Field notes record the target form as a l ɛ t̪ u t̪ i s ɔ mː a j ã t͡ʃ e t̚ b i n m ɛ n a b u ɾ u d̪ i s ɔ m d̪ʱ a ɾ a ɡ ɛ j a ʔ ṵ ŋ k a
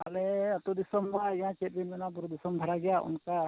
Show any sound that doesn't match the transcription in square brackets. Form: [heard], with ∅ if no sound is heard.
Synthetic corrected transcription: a l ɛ t̪ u [d̪] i s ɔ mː a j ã t͡ʃ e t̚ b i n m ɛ n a b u ɾ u d̪ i s ɔ m d̪ʱ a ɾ a ɡ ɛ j a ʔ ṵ [n] k a